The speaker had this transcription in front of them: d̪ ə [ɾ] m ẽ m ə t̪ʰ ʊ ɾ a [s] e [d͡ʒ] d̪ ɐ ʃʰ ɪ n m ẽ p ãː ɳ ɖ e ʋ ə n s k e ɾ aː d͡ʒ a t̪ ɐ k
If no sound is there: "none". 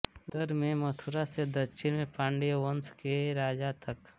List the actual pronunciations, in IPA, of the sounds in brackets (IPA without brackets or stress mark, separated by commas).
ɾ, s, none